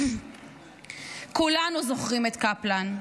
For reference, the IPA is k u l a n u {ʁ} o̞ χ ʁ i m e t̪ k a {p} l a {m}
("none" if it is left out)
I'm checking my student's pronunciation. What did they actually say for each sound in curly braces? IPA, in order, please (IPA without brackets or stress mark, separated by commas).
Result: z, p, n